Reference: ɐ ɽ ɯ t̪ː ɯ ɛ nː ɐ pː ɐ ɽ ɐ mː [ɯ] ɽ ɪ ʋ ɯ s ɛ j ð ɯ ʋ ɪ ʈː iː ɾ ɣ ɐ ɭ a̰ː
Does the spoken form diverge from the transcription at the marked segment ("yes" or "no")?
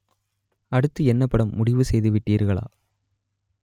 yes